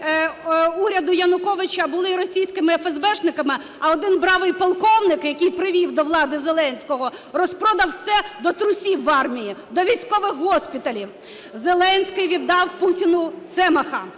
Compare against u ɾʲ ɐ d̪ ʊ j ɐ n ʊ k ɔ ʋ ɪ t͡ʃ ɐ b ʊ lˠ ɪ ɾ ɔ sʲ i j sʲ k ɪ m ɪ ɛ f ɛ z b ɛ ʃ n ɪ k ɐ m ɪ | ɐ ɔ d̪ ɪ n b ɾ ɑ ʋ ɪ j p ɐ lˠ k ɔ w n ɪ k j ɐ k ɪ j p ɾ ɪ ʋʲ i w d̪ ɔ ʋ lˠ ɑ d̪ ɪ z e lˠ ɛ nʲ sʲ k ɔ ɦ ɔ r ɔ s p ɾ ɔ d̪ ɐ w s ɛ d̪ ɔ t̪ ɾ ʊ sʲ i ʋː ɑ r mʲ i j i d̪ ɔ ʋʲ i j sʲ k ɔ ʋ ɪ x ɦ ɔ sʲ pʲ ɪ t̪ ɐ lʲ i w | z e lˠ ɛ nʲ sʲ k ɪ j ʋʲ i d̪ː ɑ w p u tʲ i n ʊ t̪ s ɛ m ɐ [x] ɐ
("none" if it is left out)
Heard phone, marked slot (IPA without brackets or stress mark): x